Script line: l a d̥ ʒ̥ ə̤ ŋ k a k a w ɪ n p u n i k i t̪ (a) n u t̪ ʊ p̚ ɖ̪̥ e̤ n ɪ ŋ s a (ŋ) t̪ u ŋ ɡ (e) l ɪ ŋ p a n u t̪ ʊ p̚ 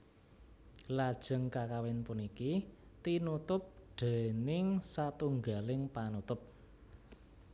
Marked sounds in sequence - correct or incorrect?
incorrect: i, incorrect: none, incorrect: a

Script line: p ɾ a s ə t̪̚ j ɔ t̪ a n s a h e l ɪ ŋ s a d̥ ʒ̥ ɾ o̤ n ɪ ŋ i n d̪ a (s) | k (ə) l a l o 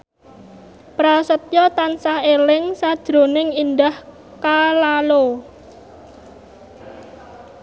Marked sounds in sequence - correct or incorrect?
incorrect: h, incorrect: a

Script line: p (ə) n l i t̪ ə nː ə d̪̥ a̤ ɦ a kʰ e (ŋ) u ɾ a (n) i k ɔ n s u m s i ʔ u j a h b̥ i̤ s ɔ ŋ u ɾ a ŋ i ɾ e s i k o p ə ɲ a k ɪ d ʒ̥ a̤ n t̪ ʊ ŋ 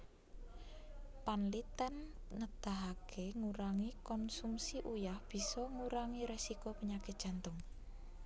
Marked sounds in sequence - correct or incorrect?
incorrect: a, correct, incorrect: ŋ

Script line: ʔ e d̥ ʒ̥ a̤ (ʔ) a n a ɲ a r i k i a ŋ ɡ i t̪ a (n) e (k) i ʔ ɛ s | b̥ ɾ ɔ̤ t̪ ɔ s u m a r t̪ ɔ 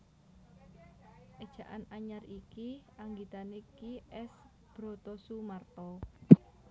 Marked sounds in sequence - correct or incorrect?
correct, correct, correct

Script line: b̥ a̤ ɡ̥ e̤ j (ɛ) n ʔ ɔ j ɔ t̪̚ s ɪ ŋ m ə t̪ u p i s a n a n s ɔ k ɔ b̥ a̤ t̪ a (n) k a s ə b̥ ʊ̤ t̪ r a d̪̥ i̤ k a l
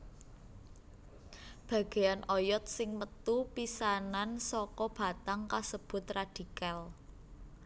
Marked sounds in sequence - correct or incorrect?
incorrect: a, incorrect: ŋ

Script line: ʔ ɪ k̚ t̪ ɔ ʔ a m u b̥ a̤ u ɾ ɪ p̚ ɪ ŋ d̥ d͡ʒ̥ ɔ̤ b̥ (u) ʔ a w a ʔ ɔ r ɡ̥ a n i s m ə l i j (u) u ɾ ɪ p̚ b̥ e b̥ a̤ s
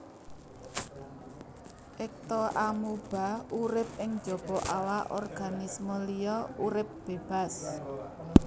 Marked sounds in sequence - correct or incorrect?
incorrect: ɔ, incorrect: ɔ

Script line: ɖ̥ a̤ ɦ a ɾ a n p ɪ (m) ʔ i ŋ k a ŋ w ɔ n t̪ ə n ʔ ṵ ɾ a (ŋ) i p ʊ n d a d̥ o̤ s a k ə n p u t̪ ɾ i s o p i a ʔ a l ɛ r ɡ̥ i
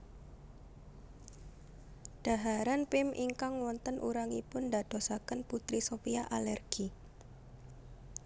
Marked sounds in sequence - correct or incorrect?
correct, correct

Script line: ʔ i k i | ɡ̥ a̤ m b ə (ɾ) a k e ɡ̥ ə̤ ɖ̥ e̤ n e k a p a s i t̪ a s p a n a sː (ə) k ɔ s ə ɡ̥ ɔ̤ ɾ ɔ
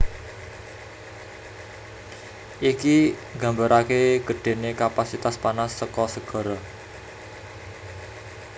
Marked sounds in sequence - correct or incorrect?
correct, correct

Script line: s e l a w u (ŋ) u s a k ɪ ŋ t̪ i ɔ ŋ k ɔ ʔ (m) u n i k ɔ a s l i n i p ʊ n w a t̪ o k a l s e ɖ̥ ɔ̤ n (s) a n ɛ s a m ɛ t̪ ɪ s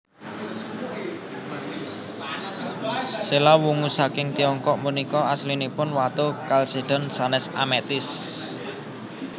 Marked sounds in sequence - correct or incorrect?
correct, correct, correct

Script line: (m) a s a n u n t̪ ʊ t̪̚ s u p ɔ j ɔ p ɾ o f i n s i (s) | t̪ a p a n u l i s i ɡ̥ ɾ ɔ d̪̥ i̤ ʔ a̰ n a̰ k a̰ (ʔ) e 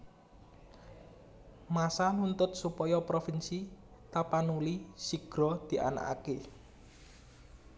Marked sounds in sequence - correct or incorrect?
correct, incorrect: none, incorrect: k

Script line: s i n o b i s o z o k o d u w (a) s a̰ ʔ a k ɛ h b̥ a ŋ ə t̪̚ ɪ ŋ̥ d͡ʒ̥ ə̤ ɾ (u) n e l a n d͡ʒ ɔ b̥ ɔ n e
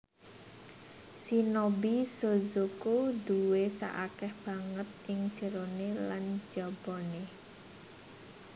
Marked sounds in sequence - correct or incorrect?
incorrect: e, incorrect: o

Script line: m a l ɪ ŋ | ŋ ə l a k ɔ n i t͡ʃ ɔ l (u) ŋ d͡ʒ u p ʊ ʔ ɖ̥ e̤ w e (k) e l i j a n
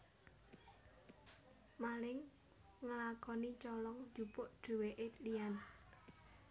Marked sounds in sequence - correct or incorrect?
incorrect: ɔ, incorrect: ʔ

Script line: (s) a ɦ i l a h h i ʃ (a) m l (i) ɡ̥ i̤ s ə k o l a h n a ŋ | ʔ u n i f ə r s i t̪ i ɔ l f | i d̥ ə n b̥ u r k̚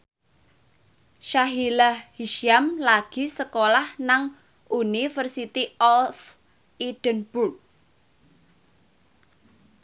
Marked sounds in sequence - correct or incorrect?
incorrect: ʃ, correct, incorrect: a

